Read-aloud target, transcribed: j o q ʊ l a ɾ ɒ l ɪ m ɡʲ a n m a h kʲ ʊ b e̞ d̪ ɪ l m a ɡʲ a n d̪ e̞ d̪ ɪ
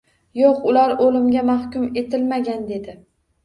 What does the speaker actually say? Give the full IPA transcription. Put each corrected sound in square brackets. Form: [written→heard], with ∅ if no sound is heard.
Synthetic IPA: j o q ʊ l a ɾ [ɒ→o] l ɪ m ɡʲ a [n→∅] m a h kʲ ʊ [b→m] e̞ [d̪→t̪] ɪ l m a ɡʲ a n d̪ e̞ d̪ ɪ

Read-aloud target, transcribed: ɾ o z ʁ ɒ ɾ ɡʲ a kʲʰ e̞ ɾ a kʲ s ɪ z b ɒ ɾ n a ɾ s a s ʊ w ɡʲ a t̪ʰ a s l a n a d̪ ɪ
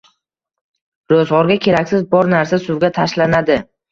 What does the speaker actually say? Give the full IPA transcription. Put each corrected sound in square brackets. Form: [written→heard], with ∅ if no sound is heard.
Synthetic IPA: ɾ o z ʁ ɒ ɾ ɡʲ a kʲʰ e̞ ɾ a kʲ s ɪ z b ɒ ɾ n a ɾ s a s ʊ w ɡʲ a t̪ʰ a [s→ʃ] l a n a d̪ ɪ

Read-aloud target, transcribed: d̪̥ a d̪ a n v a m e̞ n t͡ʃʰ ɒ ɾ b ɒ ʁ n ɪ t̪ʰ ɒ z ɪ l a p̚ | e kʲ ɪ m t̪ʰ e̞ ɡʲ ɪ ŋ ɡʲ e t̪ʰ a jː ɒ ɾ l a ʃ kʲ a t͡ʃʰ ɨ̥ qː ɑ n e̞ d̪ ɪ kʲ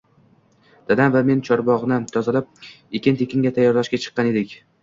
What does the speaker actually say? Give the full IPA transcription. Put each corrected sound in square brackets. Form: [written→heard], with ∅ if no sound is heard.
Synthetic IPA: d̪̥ a d̪ a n v a m e̞ n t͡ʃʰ ɒ ɾ b ɒ ʁ n ɪ t̪ʰ ɒ z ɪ l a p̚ | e kʲ ɪ [m→n] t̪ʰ e̞ [ɡʲ→kʲ] ɪ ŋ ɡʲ [e→a] t̪ʰ a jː ɒ ɾ l a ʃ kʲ a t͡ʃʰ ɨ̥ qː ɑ n e̞ d̪ ɪ kʲ

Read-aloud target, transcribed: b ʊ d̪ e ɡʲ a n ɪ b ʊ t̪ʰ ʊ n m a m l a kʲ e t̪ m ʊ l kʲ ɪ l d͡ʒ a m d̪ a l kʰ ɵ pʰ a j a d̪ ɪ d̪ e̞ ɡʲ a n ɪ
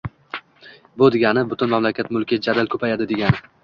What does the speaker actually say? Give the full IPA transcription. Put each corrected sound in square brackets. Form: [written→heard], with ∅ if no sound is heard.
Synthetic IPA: b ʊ d̪ e ɡʲ a n ɪ b ʊ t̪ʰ ʊ n m a m l a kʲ [e→a] t̪ m ʊ l kʲ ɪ [l→∅] d͡ʒ a [m→∅] d̪ a l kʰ ɵ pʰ a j a d̪ ɪ d̪ e̞ ɡʲ a n ɪ

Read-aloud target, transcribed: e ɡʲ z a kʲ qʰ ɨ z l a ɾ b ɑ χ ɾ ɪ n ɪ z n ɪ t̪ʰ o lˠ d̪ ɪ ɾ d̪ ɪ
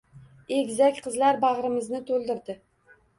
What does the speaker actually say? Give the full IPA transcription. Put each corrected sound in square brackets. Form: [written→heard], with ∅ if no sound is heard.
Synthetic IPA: e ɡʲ z a kʲ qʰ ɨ z l a ɾ b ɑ [χ→ʁ] ɾ ɪ [n→m] ɪ z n ɪ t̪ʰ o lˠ d̪ ɪ ɾ d̪ ɪ

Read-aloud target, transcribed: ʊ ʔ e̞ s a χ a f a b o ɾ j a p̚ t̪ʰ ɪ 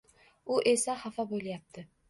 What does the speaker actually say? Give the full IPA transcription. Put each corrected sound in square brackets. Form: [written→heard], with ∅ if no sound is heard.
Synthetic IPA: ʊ ʔ e̞ s a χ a f a b o [ɾ→l] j a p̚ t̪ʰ ɪ

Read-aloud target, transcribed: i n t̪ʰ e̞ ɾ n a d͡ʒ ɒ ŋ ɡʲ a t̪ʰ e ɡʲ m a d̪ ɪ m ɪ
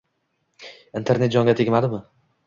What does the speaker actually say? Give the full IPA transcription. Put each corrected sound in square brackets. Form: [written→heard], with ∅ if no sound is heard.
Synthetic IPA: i n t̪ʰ e̞ ɾ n [a→e] d͡ʒ ɒ ŋ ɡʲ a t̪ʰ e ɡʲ m a d̪ ɪ m ɪ

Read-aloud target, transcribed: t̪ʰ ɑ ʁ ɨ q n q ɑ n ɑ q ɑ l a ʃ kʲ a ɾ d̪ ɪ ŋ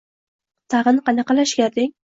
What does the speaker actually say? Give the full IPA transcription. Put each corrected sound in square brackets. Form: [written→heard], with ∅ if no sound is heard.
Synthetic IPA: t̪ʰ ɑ ʁ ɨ [q→∅] n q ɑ n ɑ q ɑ l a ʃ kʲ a ɾ d̪ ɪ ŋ

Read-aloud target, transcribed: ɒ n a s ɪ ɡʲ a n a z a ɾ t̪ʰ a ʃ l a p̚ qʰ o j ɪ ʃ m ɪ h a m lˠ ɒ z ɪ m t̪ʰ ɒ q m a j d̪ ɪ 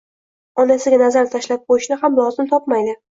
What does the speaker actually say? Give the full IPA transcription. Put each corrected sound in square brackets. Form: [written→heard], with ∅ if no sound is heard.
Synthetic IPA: ɒ n a s ɪ ɡʲ a n a z a ɾ t̪ʰ a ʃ l a p̚ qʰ o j ɪ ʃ [m→n] ɪ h a m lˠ ɒ z ɪ m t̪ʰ ɒ [q→p] m a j d̪ ɪ

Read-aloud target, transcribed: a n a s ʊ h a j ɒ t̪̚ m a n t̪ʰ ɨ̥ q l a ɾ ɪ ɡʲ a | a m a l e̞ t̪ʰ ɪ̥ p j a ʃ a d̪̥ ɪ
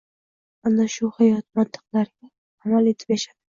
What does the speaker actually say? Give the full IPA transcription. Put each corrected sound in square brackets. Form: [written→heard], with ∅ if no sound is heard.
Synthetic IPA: a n a [s→ʃ] ʊ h a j ɒ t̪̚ m a n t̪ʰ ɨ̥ q l a ɾ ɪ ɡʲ a | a m a l e̞ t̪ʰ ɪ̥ p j a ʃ a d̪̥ ɪ

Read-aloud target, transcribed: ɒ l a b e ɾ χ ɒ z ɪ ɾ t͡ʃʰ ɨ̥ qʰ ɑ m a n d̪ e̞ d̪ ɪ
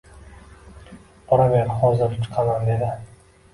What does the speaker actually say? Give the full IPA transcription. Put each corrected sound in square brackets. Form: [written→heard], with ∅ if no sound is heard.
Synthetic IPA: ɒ [l→ɾ] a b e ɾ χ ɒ z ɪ ɾ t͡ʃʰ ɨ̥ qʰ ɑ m a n d̪ e̞ d̪ ɪ

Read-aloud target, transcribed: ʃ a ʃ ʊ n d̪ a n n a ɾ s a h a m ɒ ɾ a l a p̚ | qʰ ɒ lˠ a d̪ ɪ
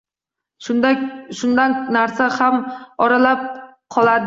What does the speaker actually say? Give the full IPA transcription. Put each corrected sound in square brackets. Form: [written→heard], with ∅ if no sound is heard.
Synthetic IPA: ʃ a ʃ ʊ n d̪ a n n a ɾ s a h a m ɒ ɾ a l a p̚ | qʰ ɒ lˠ a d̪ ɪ

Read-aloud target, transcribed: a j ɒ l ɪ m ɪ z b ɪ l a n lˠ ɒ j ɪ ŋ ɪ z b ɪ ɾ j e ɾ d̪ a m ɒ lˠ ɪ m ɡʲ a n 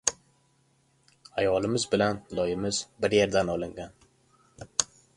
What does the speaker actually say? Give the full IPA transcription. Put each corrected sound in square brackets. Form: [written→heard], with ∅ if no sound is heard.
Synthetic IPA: a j ɒ l ɪ m ɪ z b ɪ l a n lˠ ɒ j ɪ [ŋ→m] ɪ z b ɪ ɾ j e ɾ d̪ a [m→n] ɒ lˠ ɪ [m→ŋ] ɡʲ a n

